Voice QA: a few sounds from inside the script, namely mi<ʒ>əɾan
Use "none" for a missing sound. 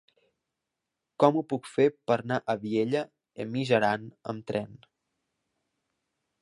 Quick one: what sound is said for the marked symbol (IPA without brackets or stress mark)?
ʒ